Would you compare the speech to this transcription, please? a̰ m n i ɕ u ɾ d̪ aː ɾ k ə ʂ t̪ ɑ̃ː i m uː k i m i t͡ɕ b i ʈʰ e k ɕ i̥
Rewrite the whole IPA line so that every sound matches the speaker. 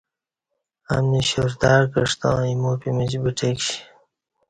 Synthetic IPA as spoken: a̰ m n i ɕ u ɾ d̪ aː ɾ k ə ʂ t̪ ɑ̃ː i m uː p i m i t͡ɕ b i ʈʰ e k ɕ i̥